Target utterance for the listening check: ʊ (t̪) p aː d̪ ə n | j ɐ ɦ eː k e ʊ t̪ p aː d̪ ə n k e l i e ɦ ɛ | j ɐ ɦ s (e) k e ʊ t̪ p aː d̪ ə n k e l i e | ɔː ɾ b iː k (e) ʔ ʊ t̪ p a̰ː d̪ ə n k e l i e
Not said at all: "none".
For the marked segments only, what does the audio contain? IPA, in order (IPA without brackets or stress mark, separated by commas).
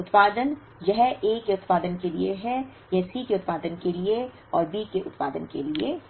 t̪, i, e